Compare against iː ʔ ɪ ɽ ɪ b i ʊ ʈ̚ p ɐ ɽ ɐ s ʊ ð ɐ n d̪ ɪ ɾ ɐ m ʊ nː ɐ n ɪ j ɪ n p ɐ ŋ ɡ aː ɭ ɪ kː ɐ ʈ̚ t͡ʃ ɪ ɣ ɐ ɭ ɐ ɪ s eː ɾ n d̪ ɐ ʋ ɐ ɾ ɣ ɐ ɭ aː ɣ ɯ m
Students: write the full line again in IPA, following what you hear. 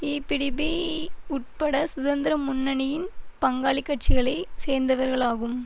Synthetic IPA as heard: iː p ɪ ɽ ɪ b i ʊ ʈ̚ p ɐ ɽ ɐ s ʊ ð ɐ n d̪ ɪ ɾ ɐ m ʊ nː ɐ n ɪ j ɪ n p ɐ ŋ ɡ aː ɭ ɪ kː ɐ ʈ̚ t͡ʃ ɪ ɣ ɐ ɭ ɐ ɪ s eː ɾ n d̪ ɐ ʋ ɐ ɾ ɣ ɐ ɭ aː ɣ ɯ m